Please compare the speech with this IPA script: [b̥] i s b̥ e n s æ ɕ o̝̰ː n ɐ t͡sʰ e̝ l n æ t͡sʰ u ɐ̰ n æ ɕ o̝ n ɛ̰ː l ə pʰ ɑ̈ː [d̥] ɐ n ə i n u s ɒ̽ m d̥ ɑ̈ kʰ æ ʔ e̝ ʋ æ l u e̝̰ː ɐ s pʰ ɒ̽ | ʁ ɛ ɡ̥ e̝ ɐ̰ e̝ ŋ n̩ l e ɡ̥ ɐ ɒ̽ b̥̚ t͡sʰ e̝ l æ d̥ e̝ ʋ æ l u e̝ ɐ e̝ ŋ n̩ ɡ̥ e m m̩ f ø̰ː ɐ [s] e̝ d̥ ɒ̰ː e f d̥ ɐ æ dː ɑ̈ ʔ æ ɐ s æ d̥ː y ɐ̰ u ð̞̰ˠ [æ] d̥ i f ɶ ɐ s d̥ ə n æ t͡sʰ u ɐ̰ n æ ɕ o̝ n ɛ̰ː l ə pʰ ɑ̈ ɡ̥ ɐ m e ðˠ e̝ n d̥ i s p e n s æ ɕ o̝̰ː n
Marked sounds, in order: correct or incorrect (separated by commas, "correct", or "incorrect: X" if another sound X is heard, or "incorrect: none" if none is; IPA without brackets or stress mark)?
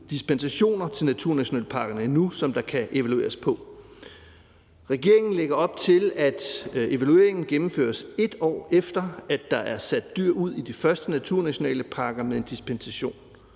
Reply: incorrect: d̥, incorrect: ɡ̥, correct, incorrect: i